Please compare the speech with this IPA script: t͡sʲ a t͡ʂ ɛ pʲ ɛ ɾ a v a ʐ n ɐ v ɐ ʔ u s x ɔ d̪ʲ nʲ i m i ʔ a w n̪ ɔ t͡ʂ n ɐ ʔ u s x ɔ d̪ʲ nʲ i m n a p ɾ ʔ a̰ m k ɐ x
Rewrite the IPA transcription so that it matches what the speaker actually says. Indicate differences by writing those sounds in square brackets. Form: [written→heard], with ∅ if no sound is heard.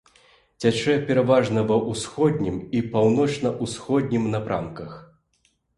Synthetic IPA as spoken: t͡sʲ a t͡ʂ ɛ pʲ ɛ ɾ a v a ʐ n ɐ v ɐ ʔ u s x ɔ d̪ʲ nʲ i m i [ʔ→p] a w n̪ ɔ t͡ʂ n ɐ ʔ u s x ɔ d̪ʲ nʲ i m n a p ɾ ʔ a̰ m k ɐ x